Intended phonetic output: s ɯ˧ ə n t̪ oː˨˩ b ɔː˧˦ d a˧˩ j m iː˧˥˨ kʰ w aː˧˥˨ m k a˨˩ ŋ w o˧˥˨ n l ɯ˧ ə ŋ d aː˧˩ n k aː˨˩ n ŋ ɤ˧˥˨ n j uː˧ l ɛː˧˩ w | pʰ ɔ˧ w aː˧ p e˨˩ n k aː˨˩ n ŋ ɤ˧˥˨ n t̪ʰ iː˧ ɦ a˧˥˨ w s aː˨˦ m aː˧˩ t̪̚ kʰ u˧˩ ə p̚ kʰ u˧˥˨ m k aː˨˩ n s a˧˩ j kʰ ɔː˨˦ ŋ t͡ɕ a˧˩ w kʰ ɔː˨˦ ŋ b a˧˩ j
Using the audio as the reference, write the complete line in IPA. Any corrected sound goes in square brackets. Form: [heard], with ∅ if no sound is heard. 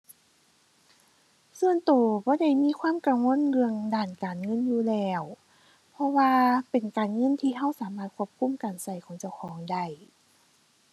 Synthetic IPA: s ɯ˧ ə n t̪ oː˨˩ b ɔː˧˦ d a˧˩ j m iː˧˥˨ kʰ w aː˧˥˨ m k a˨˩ ŋ w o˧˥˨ n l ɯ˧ ə ŋ d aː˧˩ n k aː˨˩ n ŋ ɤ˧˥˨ n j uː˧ l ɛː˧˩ w | pʰ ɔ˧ w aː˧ p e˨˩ n k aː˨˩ n ŋ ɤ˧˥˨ n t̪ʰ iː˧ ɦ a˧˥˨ w s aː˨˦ m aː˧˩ t̪̚ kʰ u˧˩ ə p̚ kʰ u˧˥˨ m k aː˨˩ n s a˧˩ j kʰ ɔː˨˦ ŋ t͡ɕ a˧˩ w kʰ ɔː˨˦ ŋ [d] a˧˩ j